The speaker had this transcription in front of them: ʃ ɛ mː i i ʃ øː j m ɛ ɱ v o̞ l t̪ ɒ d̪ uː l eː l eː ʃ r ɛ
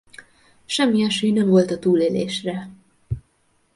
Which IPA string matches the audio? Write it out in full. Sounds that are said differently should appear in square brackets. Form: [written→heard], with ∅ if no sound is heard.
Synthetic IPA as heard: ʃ ɛ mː i [i→ɛ] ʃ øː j [m→n] ɛ ɱ v o̞ l t̪ ɒ [d̪→t̪] uː l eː l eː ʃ r ɛ